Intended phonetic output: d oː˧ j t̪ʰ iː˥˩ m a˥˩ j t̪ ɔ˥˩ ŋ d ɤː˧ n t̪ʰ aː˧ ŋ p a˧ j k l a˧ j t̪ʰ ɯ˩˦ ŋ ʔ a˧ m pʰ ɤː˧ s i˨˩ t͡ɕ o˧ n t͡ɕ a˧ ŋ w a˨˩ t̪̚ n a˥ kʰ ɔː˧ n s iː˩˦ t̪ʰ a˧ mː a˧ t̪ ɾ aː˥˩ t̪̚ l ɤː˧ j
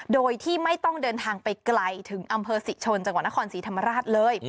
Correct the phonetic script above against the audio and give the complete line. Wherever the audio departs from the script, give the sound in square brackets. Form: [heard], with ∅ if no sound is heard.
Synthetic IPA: d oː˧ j t̪ʰ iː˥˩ m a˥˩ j t̪ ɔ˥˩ ŋ d ɤː˧ n t̪ʰ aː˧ ŋ p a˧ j k l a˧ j t̪ʰ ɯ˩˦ ŋ ʔ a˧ m pʰ ɤː˧ s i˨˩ [t͡ɕʰ] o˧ n t͡ɕ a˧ ŋ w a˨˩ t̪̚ n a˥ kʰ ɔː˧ n s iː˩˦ t̪ʰ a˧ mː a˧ [∅] ɾ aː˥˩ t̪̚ l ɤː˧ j